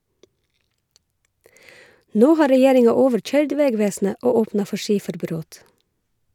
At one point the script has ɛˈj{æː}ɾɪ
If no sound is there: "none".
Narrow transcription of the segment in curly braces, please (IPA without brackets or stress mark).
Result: eː